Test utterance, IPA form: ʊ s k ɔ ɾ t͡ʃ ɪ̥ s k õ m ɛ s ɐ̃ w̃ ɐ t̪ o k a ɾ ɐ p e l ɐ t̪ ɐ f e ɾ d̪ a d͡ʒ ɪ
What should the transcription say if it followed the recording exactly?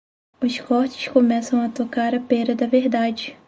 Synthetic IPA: ʊ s k ɔ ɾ t͡ʃ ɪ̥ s k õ m ɛ s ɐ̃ w̃ ɐ t̪ o k a ɾ ɐ p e ɾ ɐ d̪ ɐ v e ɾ d̪ a d͡ʒ ɪ